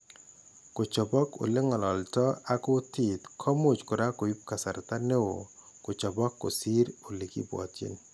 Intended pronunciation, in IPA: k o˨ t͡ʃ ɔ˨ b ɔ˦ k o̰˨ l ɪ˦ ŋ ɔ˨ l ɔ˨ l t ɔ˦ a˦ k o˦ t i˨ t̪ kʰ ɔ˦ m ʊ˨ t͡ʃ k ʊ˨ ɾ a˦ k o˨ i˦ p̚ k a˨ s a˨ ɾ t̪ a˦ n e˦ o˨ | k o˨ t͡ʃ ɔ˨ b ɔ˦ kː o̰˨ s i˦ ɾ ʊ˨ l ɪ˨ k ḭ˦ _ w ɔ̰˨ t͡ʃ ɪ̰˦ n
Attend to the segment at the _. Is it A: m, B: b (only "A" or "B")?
B